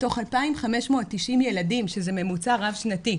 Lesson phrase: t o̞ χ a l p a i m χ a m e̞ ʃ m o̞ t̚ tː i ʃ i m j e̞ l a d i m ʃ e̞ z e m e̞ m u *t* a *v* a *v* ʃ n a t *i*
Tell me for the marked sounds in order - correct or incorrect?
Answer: incorrect: t͡s, incorrect: ʁ, correct, correct

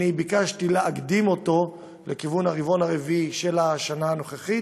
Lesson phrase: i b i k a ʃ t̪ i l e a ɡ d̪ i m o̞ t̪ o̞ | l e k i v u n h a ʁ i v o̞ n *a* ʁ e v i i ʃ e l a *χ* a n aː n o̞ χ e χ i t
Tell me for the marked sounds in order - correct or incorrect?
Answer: correct, incorrect: ʃ

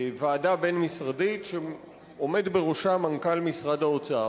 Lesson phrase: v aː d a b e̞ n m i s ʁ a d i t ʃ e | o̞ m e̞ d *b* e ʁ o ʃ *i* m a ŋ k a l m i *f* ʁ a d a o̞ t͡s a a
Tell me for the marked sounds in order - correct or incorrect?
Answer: correct, incorrect: a, incorrect: s

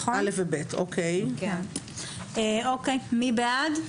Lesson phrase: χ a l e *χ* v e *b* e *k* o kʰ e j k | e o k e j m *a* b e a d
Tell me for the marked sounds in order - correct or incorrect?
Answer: incorrect: f, correct, incorrect: t, incorrect: i

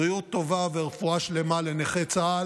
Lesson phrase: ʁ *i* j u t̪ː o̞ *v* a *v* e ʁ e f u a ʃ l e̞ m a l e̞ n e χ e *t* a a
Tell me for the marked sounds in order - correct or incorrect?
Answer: correct, correct, correct, incorrect: t͡s

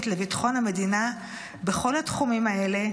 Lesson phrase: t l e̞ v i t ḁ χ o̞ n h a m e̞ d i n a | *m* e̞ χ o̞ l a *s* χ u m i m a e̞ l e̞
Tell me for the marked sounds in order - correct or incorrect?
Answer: incorrect: b, incorrect: t

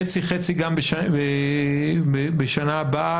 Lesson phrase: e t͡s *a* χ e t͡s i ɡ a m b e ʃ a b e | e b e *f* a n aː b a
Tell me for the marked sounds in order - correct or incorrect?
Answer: incorrect: i, incorrect: ʃ

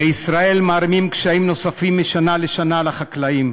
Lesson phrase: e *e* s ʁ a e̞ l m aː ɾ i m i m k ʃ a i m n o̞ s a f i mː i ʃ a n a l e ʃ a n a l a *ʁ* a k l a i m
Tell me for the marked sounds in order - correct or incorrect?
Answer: incorrect: i, incorrect: χ

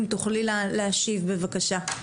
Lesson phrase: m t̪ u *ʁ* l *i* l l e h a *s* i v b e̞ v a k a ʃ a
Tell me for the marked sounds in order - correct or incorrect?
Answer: incorrect: χ, correct, incorrect: ʃ

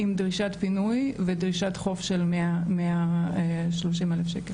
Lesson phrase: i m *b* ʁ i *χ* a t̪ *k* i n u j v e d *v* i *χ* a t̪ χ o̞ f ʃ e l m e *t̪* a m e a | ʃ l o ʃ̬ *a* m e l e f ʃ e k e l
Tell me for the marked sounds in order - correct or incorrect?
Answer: incorrect: d, incorrect: ʃ, incorrect: p, incorrect: ʁ, incorrect: ʃ, incorrect: none, incorrect: i

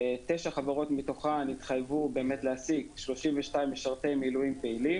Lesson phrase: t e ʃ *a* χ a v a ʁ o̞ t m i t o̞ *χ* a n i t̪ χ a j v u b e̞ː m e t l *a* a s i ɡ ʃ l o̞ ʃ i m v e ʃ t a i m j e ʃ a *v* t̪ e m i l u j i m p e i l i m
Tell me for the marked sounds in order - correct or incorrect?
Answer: correct, correct, incorrect: e, incorrect: ʁ

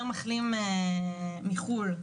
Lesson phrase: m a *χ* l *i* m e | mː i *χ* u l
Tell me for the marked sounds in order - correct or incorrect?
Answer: correct, correct, correct

